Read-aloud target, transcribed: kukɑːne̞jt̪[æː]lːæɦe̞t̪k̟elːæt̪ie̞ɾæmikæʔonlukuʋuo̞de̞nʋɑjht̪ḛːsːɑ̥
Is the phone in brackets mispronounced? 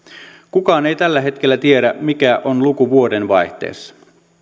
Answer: yes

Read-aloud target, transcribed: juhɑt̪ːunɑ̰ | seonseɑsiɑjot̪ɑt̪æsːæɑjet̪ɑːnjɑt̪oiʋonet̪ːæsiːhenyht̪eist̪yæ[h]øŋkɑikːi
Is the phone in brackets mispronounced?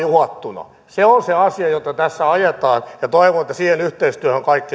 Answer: no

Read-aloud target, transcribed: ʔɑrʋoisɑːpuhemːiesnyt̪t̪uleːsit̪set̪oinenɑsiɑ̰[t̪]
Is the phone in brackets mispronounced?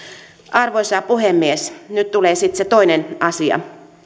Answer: yes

